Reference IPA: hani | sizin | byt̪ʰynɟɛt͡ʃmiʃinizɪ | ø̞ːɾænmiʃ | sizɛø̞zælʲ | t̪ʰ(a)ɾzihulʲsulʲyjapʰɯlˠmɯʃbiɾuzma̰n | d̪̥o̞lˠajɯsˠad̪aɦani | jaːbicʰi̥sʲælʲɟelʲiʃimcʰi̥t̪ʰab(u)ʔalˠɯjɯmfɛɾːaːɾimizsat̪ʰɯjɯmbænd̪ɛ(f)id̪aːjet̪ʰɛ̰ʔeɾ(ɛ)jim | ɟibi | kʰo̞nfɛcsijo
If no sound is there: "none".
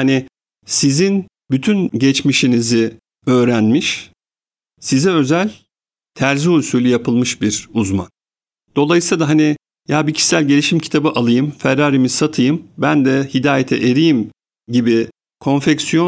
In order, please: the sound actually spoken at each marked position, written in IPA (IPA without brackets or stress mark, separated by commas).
æ, ɯ, h, i